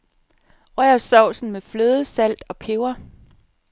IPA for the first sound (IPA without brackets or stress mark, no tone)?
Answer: ʁ